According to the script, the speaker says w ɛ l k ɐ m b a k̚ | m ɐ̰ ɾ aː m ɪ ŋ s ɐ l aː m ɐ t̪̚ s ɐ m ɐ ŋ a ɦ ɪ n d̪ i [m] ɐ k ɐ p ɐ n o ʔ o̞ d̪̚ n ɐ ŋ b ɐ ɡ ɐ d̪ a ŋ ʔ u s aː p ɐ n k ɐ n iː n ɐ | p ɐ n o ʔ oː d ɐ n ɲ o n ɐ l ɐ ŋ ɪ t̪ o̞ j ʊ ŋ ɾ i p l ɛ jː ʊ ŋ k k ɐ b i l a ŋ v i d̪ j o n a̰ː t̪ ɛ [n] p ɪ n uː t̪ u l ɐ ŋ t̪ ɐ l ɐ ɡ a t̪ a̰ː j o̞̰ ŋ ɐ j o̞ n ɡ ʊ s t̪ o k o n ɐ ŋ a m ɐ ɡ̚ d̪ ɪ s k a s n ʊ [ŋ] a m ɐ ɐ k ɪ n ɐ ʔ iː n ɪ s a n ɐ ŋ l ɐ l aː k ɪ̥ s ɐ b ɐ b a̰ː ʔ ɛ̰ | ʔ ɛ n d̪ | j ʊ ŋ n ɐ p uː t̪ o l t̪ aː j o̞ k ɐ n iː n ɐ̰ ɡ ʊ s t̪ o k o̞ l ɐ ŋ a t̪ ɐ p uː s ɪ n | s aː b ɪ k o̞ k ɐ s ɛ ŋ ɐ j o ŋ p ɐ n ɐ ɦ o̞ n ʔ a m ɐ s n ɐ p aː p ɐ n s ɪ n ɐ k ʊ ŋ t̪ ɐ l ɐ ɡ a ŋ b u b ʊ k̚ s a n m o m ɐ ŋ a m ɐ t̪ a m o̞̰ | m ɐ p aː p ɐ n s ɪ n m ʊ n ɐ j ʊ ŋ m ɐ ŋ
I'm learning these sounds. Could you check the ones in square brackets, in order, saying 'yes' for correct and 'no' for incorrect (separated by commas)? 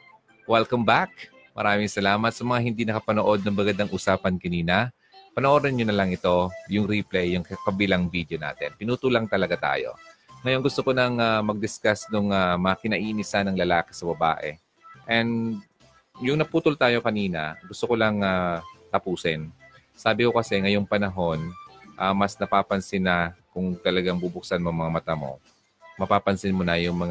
no, yes, yes